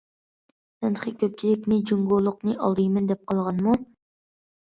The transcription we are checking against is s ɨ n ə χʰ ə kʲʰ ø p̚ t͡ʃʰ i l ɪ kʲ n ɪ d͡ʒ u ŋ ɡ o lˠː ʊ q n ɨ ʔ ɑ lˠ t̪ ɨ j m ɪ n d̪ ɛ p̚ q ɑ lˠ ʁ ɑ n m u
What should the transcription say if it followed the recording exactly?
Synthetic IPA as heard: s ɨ n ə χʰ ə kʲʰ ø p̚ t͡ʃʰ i l ɪ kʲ n ɪ d͡ʒ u ŋ ɡ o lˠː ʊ q n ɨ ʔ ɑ lˠ d̪ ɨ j m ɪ n d̪ ɛ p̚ q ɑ lˠ ʁ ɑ n m u